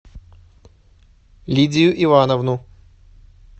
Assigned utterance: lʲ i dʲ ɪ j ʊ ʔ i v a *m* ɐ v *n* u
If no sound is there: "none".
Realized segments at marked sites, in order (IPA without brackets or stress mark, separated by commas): n, n